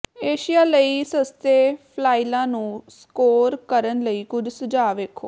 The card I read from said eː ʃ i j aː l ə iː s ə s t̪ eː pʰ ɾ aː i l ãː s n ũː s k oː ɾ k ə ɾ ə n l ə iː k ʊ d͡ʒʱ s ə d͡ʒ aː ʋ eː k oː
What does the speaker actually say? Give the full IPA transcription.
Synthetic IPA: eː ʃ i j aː l ə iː s ə s t̪ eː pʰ l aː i l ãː n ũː s k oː ɾ k ə ɾ ə n l ə iː k ʊ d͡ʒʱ s ə d͡ʒ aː ʋ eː kʰ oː